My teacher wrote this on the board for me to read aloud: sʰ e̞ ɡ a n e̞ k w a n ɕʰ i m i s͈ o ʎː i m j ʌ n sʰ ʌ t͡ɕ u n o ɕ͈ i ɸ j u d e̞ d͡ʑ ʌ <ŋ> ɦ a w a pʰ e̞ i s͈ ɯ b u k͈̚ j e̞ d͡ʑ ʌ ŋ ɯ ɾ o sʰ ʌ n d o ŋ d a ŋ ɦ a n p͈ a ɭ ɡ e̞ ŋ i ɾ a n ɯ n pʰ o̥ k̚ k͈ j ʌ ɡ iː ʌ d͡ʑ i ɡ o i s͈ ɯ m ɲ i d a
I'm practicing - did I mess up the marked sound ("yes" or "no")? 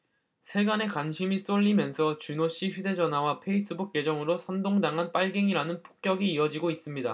yes